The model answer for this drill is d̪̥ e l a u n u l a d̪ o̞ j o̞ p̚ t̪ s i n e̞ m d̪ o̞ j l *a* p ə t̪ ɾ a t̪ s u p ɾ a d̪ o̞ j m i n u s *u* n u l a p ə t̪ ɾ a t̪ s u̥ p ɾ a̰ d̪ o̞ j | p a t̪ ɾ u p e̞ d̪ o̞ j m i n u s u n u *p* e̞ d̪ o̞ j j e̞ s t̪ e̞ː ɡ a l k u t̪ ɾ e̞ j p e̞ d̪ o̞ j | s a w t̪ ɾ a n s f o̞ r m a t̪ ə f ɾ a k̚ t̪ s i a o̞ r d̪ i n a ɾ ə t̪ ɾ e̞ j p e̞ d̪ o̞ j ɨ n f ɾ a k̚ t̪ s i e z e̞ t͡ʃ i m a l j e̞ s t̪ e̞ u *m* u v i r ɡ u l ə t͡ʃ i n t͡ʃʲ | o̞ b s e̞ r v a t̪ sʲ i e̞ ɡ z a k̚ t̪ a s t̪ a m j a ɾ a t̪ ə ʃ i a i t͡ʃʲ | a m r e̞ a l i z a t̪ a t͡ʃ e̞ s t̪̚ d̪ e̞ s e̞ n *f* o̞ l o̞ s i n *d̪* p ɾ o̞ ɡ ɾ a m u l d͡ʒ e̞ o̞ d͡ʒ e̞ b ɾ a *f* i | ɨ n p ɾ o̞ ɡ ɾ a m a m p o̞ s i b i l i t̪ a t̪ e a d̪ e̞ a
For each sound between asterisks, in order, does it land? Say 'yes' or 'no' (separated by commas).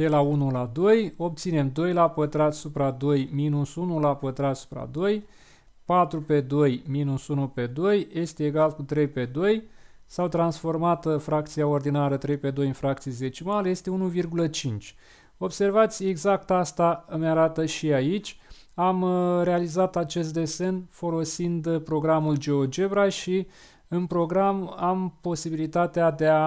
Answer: yes, yes, yes, no, yes, yes, no